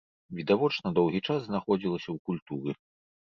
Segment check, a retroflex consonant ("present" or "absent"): present